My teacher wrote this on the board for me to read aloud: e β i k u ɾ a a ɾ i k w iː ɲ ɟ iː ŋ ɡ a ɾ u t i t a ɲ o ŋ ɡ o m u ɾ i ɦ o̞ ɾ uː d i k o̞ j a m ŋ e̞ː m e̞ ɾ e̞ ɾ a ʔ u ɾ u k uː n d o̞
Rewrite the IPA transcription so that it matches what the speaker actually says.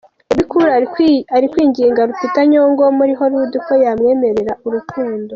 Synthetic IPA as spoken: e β i k u ɾ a a ɾ i k w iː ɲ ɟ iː ŋ ɡ a ɾ u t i t a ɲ o ŋ ɡ o m u ɾ i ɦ o̞ ɾ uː d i k o̞ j a m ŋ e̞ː m e̞ ɾ e̞ ɾ a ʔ u ɾ u k uː n d o̞

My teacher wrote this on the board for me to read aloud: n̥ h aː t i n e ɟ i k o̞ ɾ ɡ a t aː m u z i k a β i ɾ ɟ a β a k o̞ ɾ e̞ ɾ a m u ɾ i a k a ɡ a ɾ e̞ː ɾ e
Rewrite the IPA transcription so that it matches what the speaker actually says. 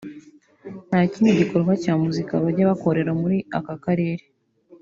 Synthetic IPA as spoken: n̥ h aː c i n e ɟ i k o̞ ɾ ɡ a c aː m u z i k a β a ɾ ɟ a β a k o̞ ɾ e̞ ɾ a m u ɾ i a k a k a ɾ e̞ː ɾ e

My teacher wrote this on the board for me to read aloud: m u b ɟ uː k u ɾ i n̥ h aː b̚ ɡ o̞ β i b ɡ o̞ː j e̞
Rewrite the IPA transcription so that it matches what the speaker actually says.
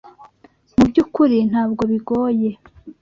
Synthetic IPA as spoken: m u b ɟ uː k u ɾ i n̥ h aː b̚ ɡ o̞ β i ɡ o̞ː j e̞

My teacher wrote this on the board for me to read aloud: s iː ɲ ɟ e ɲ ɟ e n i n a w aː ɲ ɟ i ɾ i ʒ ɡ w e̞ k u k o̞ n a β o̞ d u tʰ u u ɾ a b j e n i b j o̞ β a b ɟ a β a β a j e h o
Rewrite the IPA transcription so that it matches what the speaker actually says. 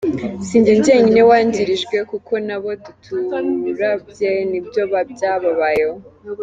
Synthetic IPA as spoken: s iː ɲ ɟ e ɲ ɟ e ɲ i n e w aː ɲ ɟ i ɾ i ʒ ɡ w e̞ k u k o̞ n a β o̞ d u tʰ u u ɾ a b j e n i b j o̞ β a b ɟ a β a β a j e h o

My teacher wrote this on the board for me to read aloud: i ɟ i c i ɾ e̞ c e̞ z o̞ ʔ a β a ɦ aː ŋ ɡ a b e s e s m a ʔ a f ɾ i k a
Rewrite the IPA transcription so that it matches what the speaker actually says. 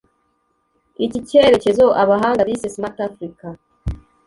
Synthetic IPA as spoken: i c i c e ɾ e̞ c e̞ z o̞ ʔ a β a ɦ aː ŋ ɡ a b i s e s m a t a f ɾ i k a

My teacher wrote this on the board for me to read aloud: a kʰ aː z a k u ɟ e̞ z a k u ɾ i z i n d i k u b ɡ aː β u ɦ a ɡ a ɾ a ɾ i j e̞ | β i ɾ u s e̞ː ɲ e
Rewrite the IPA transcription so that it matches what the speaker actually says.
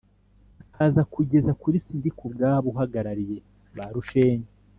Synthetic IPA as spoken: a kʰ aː z a k u ɟ e̞ z a k u ɾ i s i n d i k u b ɡ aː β u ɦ a ɡ a ɾ a ɾ i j e̞ | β a ɾ u ʃ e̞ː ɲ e

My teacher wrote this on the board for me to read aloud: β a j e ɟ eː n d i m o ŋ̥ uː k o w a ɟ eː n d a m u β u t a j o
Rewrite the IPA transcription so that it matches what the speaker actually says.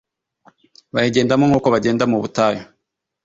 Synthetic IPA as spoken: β a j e ɟ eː n d a m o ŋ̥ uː k o β a ɟ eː n d a m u β u t a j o

